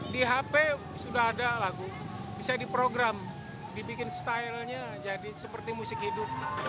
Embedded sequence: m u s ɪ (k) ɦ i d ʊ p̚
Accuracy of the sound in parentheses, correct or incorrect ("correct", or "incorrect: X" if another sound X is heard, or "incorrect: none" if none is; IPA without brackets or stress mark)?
correct